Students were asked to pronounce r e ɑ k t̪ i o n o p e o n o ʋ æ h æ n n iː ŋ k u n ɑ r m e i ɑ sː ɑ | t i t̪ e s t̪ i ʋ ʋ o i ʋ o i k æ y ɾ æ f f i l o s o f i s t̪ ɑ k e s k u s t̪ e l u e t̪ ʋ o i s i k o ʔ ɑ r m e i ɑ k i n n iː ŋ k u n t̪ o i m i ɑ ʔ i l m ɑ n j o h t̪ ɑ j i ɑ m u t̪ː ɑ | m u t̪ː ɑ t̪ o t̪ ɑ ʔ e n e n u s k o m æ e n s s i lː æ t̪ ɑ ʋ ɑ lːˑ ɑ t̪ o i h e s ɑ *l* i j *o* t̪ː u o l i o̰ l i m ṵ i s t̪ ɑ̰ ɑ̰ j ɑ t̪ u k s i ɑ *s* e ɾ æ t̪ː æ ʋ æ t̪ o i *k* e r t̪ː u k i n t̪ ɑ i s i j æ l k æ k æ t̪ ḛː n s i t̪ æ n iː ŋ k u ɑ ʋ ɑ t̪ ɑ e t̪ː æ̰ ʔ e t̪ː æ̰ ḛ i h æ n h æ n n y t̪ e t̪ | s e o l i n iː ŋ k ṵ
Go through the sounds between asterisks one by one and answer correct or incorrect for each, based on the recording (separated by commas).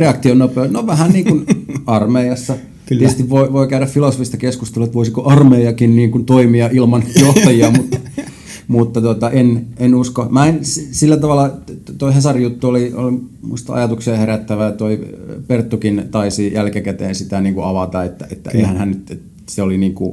incorrect, incorrect, incorrect, incorrect